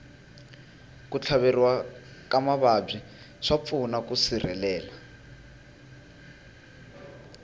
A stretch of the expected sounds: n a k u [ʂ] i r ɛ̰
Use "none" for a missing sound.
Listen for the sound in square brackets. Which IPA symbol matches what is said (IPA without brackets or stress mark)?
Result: s